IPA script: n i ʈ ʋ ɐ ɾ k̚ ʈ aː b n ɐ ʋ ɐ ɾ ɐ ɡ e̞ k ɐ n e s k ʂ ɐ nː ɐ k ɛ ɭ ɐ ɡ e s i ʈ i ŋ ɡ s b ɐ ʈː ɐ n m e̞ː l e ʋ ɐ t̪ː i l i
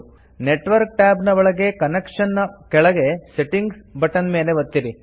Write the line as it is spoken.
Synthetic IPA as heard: n e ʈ ʋ ɐ ɾ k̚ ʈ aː b n ɐ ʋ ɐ ɭ ɐ ɡ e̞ k ɐ n e k ʂ ɐ nː ɐ k ɛ ɭ ɐ ɡ e s e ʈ i ŋ ɡ s b ɐ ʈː ɐ n m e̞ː l e ʋ ɐ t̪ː i ɾ i

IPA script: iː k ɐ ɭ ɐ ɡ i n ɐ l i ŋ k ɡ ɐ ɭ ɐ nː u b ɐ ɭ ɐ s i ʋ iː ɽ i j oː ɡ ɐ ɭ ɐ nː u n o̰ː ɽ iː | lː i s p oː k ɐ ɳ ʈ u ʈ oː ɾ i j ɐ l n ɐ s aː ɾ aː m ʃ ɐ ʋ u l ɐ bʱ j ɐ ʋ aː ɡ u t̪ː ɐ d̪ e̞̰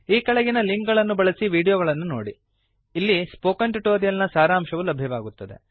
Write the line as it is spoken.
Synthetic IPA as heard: iː k ɐ ɭ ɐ ɡ i n ɐ l i ŋ k ɡ ɐ ɭ ɐ nː u b ɐ ɭ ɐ s i ʋ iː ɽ i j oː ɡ ɐ ɭ ɐ nː u n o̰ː ɽ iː | lː i s p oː k ɐ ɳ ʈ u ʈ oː ɾ i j ɐ l n ɐ s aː ɾ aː m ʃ ɐ ʋ u l ɐ bʱ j ɐ ʋ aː ɡ u t̪ː ɐ d̪ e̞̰

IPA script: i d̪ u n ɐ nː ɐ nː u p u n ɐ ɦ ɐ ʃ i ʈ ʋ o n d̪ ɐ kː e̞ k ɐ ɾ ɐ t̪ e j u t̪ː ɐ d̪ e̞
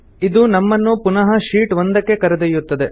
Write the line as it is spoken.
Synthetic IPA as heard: i d̪ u n ɐ mː ɐ nː u p u n ɐ ɦ ɐ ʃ iː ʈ ʋ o n d̪ ɐ kː e̞ k ɐ ɾ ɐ d̪ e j u t̪ː ɐ d̪ e̞

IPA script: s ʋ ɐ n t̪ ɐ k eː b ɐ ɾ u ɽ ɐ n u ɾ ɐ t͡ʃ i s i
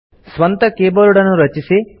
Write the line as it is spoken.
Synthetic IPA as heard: s ʋ ɐ n t̪ ɐ k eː b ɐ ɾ u ɽ ɐ n u ɾ ɐ t͡ʃ i s i

